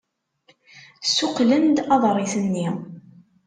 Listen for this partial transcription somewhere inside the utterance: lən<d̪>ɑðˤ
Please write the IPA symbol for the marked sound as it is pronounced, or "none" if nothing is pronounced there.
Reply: d̪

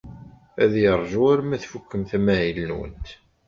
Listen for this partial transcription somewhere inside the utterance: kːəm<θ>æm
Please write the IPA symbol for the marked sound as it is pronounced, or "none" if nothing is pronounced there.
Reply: θ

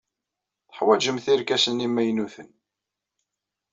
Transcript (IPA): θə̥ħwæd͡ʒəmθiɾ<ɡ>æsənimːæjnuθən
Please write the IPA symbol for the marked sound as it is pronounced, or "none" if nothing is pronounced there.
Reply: k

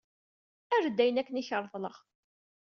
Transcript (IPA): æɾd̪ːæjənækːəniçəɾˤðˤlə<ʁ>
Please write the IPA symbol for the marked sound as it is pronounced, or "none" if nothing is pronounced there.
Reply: ʁ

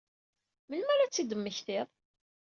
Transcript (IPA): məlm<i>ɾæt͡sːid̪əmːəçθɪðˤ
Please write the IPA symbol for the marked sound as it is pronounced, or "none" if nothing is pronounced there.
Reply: æ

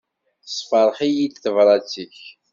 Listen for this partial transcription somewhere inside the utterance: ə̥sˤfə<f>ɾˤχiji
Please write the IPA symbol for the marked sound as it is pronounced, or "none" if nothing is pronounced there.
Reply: none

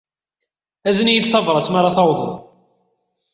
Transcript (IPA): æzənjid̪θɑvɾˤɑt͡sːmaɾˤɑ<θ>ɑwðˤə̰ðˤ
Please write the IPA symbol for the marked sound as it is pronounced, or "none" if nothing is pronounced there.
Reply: θ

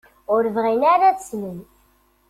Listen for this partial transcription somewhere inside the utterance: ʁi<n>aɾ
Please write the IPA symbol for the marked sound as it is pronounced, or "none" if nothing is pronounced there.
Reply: n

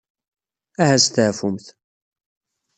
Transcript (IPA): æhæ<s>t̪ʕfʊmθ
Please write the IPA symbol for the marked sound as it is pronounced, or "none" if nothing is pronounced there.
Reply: s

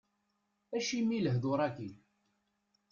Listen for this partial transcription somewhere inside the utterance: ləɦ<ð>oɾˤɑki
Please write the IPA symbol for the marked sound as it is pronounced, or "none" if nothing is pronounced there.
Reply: ð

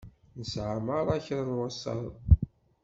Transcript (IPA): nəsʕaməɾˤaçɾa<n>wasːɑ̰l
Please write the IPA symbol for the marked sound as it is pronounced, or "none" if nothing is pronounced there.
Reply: n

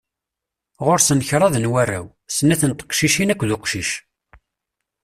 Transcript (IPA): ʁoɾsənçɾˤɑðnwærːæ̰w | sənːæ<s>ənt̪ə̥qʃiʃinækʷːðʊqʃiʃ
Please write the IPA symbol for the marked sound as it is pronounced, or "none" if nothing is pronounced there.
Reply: θ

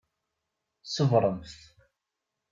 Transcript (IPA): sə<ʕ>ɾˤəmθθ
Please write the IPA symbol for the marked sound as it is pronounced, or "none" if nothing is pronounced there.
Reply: v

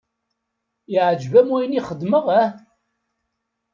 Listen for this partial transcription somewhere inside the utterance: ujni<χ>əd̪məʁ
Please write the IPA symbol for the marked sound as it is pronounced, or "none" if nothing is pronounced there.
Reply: χ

